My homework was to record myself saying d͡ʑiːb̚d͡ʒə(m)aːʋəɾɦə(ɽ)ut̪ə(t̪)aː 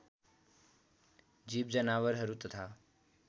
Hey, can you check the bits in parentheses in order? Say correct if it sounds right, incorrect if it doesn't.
incorrect: n, incorrect: ɾ, incorrect: t̪ʰ

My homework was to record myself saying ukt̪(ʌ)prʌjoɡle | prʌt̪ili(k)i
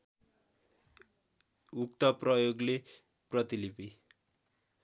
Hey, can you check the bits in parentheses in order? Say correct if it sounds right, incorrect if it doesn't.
correct, incorrect: p

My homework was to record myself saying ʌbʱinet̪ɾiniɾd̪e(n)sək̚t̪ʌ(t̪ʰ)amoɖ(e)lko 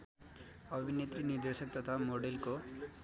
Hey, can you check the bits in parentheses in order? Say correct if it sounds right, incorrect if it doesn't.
incorrect: none, correct, correct

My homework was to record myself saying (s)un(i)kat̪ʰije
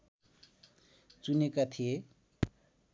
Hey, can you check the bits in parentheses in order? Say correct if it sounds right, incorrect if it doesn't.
incorrect: t͡s, incorrect: e

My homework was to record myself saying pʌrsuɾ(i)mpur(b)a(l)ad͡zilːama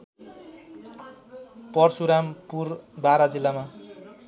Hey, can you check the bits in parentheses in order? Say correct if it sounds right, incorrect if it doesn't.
incorrect: a, correct, incorrect: ɾ

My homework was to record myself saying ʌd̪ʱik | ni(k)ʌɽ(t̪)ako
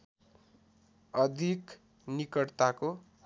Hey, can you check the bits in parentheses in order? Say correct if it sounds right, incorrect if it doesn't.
correct, correct

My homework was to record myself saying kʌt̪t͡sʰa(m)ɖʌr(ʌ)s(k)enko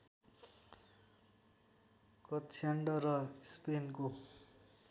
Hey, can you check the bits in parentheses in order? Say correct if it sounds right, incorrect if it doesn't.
incorrect: ɳ, correct, incorrect: p

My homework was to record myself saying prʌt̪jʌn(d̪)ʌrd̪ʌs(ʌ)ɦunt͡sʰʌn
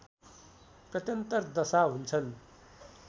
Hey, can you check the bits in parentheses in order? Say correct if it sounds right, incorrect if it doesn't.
incorrect: t̪, incorrect: a

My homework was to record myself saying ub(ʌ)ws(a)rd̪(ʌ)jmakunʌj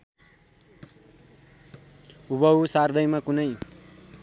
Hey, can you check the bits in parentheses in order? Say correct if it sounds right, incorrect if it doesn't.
correct, correct, correct

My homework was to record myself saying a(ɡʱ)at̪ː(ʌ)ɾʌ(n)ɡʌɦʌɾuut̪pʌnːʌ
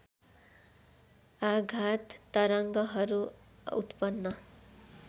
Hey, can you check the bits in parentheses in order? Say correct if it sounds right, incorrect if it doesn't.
correct, correct, incorrect: ŋ

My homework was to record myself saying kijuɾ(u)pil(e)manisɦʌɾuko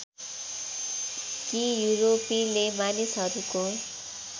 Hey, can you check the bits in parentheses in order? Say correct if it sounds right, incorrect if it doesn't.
incorrect: o, correct

